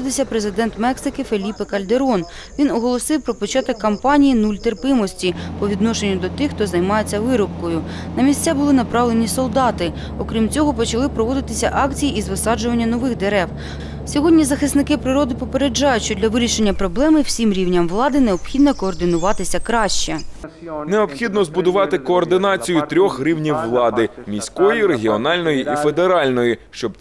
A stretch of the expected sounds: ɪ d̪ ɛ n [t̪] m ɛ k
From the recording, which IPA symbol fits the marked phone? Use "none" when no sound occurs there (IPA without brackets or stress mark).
t̪